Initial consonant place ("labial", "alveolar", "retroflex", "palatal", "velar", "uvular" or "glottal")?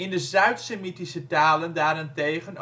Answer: alveolar